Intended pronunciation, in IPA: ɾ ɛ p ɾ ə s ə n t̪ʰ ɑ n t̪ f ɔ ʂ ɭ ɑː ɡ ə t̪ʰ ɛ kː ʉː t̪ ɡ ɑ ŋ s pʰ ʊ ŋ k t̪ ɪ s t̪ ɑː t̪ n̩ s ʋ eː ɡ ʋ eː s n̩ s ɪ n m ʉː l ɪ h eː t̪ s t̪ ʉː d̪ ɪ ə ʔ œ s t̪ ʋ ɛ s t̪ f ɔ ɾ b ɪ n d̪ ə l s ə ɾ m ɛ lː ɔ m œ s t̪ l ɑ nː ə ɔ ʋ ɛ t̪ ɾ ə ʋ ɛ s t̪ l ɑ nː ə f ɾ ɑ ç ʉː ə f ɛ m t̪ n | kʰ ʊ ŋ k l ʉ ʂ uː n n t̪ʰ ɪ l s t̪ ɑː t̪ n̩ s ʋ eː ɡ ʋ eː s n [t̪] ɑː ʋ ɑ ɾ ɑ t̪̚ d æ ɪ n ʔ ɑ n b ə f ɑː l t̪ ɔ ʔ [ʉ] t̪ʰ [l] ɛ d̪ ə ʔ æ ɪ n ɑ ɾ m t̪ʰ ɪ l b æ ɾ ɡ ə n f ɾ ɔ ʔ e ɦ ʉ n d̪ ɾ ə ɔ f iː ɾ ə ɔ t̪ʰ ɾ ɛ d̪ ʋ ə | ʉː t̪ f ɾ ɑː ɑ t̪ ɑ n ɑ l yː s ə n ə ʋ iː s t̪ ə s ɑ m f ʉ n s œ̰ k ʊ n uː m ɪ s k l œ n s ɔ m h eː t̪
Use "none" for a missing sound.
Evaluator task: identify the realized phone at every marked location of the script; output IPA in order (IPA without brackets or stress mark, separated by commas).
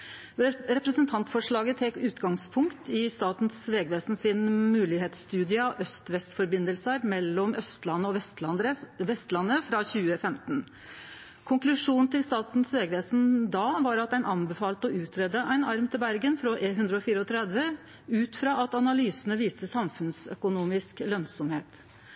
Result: d̪, ʉː, ɾ